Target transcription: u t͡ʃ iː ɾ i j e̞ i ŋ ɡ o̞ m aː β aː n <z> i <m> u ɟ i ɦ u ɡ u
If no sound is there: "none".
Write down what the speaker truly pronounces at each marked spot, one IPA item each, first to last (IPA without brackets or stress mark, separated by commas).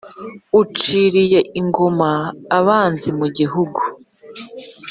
z, m